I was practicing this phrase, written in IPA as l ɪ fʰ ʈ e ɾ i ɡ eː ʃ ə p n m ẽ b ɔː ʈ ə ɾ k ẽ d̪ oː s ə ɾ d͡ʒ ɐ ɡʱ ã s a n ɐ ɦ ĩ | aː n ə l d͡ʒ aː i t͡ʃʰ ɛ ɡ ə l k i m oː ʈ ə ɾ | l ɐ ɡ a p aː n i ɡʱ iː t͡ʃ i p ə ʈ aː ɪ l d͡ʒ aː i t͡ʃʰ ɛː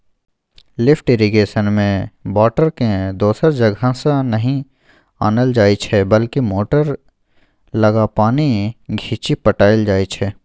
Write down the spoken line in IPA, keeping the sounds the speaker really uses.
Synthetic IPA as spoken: l ɪ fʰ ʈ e ɾ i ɡ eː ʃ ə n m ẽ b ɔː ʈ ə ɾ k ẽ d̪ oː s ə ɾ d͡ʒ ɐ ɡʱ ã s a n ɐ ɦ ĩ | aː n ə l d͡ʒ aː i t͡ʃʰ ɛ b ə l k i m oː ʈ ə ɾ | l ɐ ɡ a p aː n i ɡʱ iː t͡ʃ i p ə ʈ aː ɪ l d͡ʒ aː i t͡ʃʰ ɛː